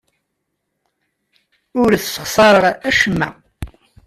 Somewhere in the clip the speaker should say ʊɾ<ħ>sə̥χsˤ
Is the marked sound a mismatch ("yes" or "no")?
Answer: yes